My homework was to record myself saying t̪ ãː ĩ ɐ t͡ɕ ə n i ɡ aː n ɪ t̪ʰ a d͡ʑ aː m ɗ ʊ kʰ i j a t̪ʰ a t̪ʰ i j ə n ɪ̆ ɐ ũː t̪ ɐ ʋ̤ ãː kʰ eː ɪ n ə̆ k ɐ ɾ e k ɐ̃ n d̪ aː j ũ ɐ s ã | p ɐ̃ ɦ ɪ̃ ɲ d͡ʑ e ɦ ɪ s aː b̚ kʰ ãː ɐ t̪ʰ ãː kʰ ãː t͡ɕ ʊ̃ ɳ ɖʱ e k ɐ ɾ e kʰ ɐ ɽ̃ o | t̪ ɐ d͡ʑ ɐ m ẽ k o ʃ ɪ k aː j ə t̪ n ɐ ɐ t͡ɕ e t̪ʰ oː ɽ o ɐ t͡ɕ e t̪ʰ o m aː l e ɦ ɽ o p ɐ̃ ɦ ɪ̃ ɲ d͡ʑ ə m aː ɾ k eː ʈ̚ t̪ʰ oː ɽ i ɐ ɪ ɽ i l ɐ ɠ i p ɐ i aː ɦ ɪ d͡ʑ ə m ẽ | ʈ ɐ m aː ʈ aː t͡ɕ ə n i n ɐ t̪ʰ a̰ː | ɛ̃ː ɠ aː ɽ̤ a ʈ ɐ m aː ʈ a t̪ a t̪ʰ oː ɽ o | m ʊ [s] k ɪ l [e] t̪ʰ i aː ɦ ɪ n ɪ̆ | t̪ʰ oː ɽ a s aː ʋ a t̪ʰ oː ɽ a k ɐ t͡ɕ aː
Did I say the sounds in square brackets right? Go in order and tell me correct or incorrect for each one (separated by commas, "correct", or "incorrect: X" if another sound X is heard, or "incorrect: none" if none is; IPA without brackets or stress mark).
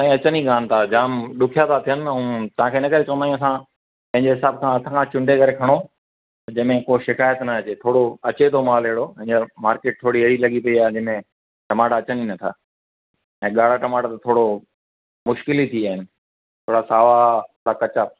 incorrect: ʃ, incorrect: i